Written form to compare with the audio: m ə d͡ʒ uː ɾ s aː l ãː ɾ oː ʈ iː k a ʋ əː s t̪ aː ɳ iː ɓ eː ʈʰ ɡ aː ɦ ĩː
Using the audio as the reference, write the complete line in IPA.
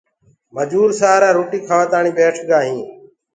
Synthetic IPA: m ə d͡ʒ uː ɾ s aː ɾ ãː ɾ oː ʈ iː kʰ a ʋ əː t̪ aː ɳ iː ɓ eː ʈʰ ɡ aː ɦ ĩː

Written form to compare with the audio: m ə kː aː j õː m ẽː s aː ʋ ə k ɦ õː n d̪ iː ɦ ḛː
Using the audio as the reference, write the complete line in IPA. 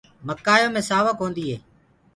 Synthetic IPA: m ə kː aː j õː m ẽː s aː ʋ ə k ɦ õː n d̪ iː ɦ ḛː

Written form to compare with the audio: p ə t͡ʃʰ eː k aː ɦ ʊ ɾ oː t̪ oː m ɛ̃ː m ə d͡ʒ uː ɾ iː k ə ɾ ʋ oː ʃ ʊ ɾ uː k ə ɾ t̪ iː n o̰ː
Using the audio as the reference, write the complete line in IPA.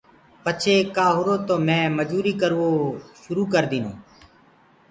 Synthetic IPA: p ə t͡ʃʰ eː k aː ɦ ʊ ɾ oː t̪ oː m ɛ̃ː m ə d͡ʒ uː ɾ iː k ə ɾ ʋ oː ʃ ʊ ɾ uː k ə ɾ d̪ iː n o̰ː

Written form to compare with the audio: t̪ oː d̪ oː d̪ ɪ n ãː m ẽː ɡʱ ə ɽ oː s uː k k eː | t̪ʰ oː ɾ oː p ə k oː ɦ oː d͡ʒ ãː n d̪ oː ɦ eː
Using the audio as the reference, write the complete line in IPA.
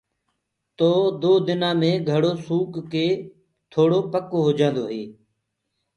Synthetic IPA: t̪ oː d̪ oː d̪ ɪ n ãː m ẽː ɡʱ ə ɽ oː s uː k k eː | t̪ʰ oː ɽ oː p ə k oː ɦ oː d͡ʒ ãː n d̪ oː ɦ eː

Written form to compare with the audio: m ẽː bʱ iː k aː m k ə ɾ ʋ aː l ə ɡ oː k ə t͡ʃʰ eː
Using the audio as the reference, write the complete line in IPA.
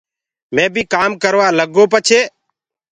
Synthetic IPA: m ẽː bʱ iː k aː m k ə ɾ ʋ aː l ə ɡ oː p ə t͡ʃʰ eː

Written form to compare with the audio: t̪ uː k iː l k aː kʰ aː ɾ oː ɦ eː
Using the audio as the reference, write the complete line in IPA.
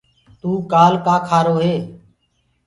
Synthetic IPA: t̪ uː k aː l k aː kʰ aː ɾ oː ɦ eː

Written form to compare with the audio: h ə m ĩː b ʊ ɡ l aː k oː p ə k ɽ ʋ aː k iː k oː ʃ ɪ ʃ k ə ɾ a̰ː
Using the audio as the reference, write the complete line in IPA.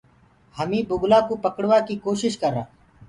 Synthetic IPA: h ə m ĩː b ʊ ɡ l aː k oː p ə k ɽ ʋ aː k iː k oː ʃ ɪ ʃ k ə ɾ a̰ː

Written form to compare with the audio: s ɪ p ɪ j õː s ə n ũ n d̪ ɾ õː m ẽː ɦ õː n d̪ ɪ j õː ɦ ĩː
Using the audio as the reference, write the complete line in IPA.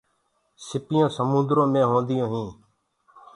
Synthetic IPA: s ɪ p ɪ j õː s ə m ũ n d̪ ɾ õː m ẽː ɦ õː n d̪ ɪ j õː ɦ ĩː

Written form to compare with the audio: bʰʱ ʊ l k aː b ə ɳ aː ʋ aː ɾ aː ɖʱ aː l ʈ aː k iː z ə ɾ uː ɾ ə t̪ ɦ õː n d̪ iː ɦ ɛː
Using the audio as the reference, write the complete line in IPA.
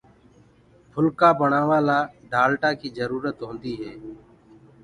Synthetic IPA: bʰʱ ʊ l k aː b ə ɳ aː ʋ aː l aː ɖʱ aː l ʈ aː k iː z ə ɾ uː ɾ ə t̪ ɦ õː n d̪ iː ɦ ɛː

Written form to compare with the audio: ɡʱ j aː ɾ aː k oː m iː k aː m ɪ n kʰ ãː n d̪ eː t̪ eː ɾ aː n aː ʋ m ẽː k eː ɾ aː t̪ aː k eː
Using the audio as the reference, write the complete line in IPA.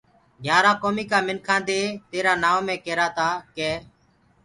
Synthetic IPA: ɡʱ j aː ɾ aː k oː m iː k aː m ɪ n kʰ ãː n d̪ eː t̪ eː ɾ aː n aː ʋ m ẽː k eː ɾ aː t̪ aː k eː

